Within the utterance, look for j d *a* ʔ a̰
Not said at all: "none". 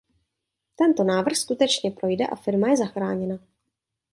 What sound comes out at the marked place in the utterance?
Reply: ɛ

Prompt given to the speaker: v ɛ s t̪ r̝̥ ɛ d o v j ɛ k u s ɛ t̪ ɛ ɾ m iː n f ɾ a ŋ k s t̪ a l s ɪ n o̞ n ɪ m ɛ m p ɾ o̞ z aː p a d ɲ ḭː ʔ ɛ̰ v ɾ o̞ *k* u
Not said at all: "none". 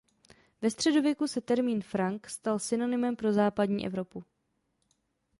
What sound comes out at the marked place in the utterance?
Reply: p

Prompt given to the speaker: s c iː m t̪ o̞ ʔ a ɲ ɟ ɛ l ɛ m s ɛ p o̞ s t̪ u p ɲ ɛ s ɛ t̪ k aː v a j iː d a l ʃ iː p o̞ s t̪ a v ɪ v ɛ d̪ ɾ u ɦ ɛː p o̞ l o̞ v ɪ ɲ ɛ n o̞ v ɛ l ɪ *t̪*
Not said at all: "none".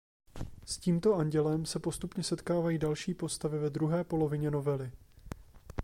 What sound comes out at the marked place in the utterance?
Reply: none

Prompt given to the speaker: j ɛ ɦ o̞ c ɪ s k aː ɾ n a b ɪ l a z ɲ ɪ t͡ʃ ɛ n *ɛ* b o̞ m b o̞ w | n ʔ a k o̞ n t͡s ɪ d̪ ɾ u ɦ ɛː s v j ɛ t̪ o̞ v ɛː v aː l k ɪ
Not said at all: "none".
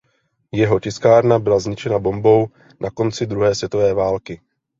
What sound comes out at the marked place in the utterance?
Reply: a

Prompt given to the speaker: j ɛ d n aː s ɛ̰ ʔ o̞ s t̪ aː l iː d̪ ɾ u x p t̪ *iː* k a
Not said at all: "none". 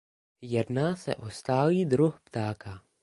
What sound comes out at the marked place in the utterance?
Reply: aː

